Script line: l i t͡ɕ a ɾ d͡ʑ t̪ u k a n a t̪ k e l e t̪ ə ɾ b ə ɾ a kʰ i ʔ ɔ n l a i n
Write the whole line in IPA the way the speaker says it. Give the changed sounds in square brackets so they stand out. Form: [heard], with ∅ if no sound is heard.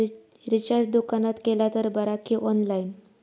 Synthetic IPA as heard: [ɾ] i t͡ɕ a ɾ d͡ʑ [d̪] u k a n a t̪ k e l [a] t̪ ə ɾ b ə ɾ a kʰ i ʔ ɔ n l a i n